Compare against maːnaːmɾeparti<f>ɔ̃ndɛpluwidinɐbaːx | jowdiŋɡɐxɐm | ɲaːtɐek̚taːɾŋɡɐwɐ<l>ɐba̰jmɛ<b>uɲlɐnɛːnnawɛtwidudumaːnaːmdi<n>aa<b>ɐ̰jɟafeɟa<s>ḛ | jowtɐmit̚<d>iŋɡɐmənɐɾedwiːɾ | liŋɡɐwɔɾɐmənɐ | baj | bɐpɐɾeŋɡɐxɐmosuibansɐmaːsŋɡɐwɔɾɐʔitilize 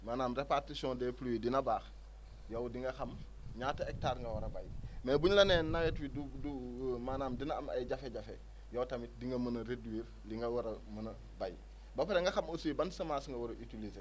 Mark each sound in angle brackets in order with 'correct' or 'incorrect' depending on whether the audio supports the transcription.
incorrect, incorrect, correct, correct, incorrect, incorrect, correct

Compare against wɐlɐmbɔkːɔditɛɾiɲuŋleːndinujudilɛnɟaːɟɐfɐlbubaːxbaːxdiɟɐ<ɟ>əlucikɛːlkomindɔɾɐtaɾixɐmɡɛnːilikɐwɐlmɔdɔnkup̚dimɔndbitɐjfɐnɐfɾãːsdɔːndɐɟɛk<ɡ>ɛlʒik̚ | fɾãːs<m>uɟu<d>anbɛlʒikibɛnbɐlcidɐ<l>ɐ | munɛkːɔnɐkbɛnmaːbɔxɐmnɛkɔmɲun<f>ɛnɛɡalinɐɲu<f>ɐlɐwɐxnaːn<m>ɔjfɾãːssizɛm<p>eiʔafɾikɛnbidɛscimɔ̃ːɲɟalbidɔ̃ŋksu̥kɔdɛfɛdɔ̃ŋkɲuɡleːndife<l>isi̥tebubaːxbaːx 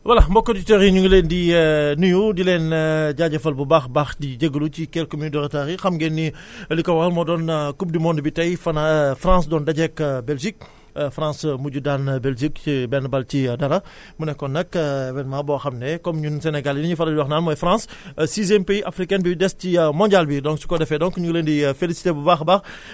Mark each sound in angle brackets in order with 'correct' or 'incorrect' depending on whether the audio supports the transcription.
incorrect, incorrect, correct, correct, incorrect, incorrect, correct, correct, correct, correct

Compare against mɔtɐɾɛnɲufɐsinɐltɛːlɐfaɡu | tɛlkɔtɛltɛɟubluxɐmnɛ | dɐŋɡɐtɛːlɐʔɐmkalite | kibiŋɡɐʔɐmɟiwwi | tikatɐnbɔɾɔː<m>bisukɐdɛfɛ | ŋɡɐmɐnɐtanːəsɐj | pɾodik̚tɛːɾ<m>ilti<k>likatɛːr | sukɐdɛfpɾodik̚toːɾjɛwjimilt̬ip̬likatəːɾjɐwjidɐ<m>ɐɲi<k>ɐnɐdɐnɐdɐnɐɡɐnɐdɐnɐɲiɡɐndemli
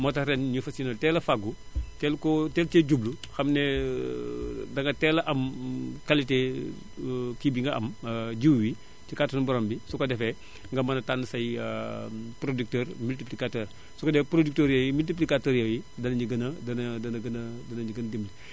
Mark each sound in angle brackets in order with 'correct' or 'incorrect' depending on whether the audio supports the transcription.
correct, correct, incorrect, incorrect, incorrect

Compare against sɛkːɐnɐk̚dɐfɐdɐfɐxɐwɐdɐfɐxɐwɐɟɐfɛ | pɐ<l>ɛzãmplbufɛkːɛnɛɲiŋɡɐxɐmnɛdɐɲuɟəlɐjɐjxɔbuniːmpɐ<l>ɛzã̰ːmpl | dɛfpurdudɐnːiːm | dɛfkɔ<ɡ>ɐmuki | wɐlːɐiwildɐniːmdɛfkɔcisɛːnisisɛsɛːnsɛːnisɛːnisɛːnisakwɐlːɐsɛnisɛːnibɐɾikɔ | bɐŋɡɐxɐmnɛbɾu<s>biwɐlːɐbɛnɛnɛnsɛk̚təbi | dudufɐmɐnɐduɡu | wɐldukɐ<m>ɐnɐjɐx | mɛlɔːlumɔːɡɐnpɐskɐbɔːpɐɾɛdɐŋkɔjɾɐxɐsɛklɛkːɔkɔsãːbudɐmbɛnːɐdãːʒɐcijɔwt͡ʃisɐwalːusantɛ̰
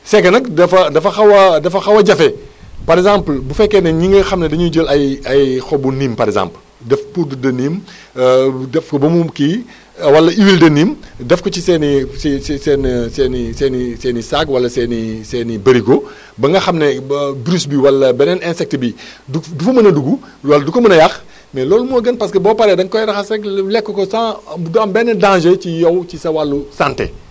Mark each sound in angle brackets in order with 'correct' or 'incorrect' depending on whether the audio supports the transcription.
incorrect, incorrect, incorrect, correct, correct

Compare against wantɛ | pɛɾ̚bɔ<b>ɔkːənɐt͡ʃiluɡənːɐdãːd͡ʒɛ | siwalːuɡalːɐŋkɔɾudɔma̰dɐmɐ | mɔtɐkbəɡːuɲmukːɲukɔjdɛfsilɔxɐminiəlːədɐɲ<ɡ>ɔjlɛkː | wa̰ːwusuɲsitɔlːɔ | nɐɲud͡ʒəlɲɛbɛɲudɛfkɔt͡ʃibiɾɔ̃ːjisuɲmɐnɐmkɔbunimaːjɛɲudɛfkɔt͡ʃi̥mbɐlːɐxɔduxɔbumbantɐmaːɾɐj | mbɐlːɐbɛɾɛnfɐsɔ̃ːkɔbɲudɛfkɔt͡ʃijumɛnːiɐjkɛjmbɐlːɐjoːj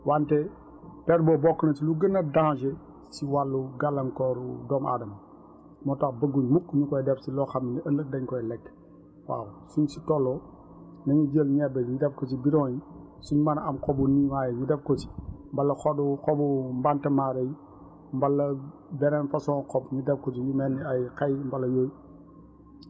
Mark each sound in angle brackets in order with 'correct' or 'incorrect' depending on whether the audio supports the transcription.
correct, incorrect

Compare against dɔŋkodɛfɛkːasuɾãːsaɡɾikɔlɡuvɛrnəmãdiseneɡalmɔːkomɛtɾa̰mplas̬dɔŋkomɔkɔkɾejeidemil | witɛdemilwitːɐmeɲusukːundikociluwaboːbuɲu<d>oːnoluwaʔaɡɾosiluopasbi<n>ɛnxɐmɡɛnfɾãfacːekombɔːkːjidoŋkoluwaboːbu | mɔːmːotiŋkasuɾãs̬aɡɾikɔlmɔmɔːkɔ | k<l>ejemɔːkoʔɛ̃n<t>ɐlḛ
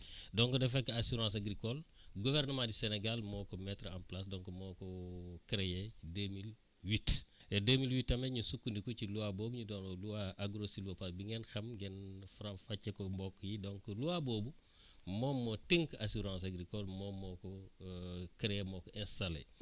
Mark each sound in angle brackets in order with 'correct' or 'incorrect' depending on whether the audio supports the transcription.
correct, incorrect, incorrect, incorrect

